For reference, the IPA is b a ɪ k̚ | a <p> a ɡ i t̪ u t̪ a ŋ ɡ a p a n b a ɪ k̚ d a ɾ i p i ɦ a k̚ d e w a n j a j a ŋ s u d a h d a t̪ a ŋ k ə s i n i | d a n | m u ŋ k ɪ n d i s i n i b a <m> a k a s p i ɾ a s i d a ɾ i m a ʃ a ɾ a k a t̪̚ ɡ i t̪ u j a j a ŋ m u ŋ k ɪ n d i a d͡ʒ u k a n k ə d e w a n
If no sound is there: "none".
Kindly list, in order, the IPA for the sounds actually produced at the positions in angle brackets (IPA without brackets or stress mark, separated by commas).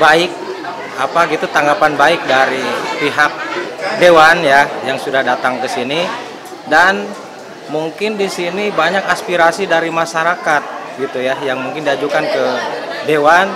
p, ɲ